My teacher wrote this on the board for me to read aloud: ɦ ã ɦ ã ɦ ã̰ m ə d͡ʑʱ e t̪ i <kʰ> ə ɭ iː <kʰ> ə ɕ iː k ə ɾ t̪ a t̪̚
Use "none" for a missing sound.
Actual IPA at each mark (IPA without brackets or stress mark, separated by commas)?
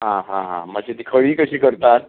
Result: kʰ, k